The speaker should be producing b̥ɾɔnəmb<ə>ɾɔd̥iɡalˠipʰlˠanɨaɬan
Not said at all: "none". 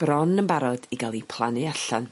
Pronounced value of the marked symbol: a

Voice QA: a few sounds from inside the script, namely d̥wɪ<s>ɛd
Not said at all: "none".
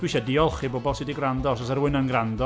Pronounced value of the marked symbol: ʃ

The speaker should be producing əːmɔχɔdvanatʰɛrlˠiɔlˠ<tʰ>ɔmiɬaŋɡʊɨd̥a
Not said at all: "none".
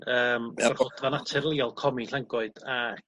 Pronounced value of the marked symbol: kʰ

